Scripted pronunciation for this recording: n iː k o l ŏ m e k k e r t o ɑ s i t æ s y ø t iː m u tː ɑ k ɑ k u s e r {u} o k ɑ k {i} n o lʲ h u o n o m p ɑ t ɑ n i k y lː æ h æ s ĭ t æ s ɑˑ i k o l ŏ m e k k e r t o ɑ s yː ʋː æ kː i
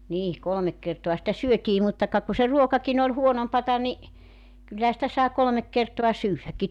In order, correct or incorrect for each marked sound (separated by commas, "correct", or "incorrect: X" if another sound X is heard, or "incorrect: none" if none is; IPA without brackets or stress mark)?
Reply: correct, correct